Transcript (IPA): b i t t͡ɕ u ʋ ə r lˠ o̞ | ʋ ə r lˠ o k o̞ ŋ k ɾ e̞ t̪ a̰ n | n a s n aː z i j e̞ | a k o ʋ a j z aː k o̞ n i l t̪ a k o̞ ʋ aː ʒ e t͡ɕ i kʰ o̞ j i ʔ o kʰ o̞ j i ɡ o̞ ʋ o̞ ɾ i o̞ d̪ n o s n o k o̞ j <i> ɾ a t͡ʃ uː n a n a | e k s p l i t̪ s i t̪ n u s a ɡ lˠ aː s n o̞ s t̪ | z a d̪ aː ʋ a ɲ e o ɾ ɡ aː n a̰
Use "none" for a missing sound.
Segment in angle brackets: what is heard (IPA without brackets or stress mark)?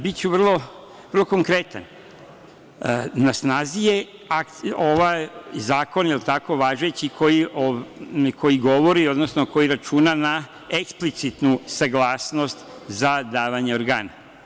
i